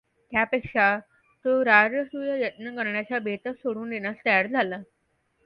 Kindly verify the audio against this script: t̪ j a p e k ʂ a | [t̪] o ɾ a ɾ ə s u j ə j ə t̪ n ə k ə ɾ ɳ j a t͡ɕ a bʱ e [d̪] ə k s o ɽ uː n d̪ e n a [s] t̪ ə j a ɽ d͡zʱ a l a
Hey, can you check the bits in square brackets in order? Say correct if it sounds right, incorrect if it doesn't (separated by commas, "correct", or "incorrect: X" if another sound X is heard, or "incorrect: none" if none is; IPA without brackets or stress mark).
correct, incorrect: t̪, correct